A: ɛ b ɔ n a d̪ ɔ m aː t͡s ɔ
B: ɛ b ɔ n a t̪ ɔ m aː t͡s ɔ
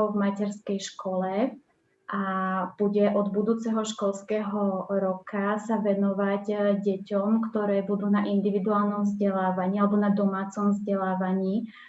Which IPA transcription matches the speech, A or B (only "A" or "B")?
A